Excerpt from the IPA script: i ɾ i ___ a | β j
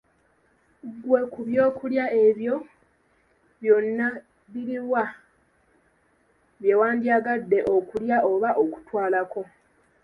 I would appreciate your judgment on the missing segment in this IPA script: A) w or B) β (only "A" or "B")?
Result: A